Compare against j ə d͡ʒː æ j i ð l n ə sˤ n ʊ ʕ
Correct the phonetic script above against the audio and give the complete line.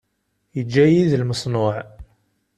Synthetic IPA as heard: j ə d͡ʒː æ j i ð l m ə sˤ n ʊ ʕ

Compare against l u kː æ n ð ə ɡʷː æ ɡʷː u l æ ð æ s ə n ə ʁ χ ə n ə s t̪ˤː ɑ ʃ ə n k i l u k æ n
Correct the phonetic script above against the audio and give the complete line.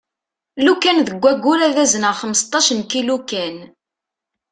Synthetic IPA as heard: l u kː æ n ð ə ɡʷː æ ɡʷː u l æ ð æ z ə n ə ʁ χ ə m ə s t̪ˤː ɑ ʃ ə n k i l u k æ n

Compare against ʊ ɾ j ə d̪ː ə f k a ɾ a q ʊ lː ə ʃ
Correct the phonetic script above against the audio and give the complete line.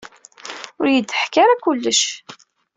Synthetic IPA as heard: ʊ ɾ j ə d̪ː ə ħ k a ɾ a k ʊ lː ə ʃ

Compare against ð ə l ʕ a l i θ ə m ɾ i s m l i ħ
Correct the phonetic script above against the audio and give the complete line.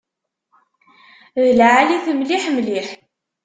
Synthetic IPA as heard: ð ə l ʕ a l i θ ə m l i ħ m l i ħ

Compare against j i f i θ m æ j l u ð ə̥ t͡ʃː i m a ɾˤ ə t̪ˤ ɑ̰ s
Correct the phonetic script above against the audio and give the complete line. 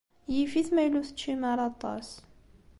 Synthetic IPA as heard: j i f i θ m æ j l u θ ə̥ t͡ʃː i m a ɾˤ ɑ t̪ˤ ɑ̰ s

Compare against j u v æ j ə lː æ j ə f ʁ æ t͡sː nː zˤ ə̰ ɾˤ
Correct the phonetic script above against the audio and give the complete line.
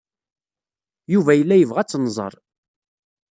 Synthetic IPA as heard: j u v æ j ə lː æ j ə v ʁ æ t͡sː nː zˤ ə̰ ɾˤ

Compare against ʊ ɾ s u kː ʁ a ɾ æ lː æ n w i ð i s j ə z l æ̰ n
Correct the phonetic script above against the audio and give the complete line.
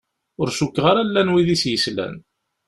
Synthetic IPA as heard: ʊ ɾ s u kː ʁ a ɾ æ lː æ n w i ð i s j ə s l æ̰ n

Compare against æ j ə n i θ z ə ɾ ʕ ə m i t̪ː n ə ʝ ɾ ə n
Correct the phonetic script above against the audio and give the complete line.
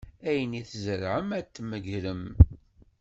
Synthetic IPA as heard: æ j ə n i θ z ə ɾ ʕ ə m æ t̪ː m ə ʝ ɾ ə m

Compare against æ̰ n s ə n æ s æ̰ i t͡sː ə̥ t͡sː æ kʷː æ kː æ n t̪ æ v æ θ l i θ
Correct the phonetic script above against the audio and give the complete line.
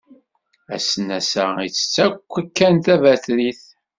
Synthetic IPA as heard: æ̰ s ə n æ s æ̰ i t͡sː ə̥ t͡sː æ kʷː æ kː æ n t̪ æ v æ θ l i θ

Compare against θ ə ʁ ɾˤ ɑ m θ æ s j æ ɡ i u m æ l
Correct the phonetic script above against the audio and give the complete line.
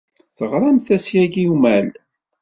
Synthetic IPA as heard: θ ə ʁ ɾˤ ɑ m θ æ s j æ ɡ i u m æ l

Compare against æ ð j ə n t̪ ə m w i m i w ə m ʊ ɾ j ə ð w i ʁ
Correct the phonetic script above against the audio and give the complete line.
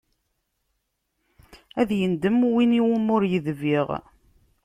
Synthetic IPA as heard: æ ð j ə n d̪ ə m w i n i w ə m ʊ ɾ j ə ð v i ʁ

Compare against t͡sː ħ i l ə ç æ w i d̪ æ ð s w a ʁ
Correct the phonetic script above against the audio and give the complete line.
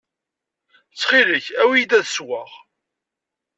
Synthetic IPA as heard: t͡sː χ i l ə ç æ w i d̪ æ ð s w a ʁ

